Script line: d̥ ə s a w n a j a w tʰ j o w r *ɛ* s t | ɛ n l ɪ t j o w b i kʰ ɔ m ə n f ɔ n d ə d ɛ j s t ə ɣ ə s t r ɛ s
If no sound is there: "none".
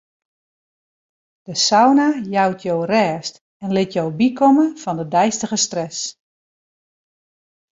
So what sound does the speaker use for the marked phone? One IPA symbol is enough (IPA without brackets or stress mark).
ɛː